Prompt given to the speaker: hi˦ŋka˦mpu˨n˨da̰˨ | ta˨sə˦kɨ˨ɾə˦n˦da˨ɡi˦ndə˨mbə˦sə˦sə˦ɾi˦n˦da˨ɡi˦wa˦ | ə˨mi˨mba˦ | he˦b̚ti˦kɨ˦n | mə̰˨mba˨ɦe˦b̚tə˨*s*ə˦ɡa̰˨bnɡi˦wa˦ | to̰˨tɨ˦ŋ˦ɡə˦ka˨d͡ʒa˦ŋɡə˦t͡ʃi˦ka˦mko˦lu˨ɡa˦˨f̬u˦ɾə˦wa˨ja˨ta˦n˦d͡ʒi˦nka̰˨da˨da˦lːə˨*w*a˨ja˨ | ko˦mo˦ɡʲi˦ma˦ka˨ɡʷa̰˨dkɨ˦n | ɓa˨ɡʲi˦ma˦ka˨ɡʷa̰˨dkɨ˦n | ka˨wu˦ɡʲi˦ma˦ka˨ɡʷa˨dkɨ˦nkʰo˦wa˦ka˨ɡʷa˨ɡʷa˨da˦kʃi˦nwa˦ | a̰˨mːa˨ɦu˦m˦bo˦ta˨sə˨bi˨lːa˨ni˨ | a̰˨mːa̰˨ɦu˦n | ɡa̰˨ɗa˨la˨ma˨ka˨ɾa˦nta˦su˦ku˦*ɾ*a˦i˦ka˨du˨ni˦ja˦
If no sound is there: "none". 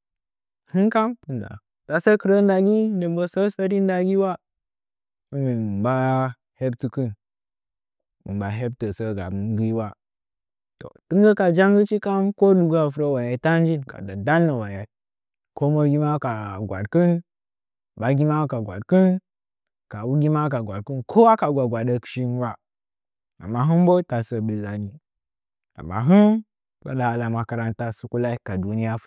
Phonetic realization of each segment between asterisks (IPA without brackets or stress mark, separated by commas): s, w, l